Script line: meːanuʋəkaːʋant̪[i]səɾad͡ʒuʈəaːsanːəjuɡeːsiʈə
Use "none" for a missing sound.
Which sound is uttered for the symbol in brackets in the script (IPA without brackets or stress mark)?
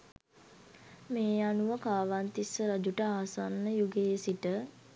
i